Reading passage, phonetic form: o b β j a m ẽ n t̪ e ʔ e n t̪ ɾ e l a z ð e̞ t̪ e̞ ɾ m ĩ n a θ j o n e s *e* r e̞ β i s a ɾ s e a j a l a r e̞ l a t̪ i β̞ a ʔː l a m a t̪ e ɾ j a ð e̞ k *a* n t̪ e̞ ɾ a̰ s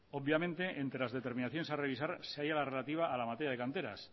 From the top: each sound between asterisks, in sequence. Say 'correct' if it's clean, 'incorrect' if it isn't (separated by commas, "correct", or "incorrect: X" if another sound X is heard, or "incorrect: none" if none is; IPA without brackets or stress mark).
incorrect: a, correct